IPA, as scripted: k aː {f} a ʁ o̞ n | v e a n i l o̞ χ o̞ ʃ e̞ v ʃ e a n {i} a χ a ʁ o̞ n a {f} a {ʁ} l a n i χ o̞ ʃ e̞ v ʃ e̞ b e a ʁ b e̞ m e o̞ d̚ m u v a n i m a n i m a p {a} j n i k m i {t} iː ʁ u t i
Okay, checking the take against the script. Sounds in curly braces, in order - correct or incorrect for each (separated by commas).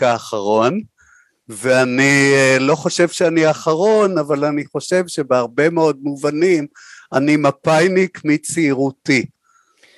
incorrect, correct, incorrect, incorrect, correct, incorrect